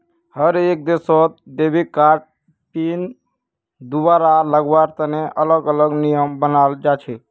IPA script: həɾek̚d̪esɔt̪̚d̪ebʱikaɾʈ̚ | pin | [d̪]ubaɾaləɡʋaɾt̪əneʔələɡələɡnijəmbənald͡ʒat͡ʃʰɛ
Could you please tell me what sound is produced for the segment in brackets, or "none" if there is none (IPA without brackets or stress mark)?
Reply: d̪